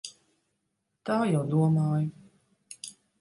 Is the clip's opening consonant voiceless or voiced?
voiceless